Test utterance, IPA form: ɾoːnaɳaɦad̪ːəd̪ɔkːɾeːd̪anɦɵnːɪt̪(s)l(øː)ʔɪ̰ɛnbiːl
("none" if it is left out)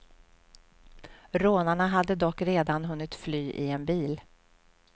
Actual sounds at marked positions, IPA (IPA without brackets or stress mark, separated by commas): f, yː